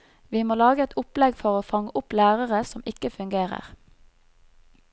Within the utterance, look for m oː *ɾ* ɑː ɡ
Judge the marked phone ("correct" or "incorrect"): incorrect